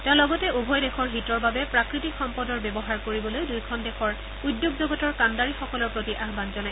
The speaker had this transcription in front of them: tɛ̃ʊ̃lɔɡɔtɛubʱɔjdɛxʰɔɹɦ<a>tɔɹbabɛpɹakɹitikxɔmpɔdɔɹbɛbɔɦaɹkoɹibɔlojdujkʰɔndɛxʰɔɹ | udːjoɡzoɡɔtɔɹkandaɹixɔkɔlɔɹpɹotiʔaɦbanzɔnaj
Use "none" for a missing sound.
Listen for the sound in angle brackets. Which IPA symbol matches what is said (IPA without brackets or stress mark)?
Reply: i